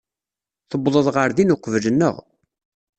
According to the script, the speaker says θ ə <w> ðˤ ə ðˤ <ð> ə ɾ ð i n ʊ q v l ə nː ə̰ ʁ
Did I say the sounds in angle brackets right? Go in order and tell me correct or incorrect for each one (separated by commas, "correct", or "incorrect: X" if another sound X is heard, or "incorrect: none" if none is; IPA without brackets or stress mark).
incorrect: b, incorrect: ʁ